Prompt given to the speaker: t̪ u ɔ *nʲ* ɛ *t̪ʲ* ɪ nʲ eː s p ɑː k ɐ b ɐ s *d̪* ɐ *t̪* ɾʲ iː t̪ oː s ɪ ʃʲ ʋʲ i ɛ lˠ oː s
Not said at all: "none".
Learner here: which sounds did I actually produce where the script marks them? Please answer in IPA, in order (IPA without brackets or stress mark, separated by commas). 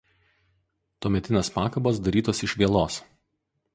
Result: mʲ, t̪ʲ, d̪, none